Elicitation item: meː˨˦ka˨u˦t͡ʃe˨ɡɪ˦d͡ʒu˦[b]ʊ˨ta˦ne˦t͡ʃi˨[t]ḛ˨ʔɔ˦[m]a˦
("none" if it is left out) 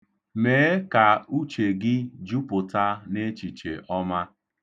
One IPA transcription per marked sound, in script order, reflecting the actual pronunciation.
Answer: p, t͡ʃ, m

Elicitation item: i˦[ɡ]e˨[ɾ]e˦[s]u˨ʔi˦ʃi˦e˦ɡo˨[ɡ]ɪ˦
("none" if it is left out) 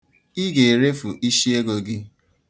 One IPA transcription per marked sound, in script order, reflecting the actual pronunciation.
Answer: ɡ, ɾ, f, ɡ

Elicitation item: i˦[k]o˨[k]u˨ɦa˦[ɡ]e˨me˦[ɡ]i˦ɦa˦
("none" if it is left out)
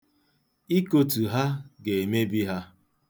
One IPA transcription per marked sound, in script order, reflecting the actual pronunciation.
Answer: k, t, ɡ, b

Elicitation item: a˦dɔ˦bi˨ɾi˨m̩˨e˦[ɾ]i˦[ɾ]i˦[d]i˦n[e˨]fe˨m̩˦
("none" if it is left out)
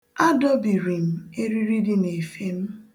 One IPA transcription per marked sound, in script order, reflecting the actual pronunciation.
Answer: ɾ, ɾ, d, e˨

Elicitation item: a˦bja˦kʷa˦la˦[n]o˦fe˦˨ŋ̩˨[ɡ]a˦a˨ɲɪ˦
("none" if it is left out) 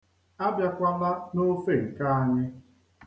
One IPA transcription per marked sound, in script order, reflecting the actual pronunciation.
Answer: n, k

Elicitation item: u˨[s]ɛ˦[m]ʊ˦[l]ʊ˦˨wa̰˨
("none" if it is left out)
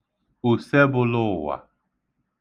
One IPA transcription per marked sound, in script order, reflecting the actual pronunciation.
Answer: s, b, l

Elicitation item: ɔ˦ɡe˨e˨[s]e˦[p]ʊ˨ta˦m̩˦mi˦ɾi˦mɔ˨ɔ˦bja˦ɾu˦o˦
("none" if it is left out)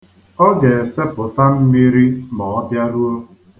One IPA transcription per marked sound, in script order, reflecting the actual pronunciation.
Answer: s, p

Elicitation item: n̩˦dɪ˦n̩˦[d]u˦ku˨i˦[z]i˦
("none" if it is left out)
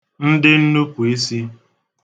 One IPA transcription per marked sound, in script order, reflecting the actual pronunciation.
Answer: n, s

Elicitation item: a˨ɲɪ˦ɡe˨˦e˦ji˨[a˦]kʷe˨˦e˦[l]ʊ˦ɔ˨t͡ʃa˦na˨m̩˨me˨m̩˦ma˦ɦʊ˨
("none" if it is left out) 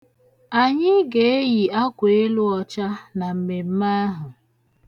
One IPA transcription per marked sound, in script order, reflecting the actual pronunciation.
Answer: a˦, l

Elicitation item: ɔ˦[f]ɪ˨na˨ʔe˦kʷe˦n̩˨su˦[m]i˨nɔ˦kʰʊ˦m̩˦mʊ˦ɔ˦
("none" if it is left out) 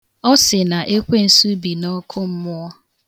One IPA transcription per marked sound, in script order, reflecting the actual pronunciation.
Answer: s, b

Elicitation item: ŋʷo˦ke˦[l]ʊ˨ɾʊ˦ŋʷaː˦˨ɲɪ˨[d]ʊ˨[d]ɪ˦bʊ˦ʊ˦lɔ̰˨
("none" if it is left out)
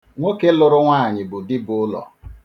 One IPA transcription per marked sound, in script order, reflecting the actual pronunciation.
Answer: l, b, d

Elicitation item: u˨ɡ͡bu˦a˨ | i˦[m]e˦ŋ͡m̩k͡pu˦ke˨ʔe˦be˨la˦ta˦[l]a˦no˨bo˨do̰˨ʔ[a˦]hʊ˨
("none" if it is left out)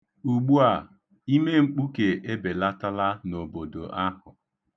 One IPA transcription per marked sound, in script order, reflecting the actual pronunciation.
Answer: m, l, a˦

